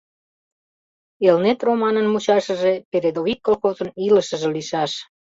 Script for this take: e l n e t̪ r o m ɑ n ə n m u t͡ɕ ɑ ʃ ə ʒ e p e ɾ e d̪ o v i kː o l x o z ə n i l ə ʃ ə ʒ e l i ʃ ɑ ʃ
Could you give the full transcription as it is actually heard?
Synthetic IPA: e l n e t̪ r o m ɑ n ə n m u t͡ɕ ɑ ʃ ə ʒ e p e ɾ e d̪ o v i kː o l x o z ə n i l ə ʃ ə ʒ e l i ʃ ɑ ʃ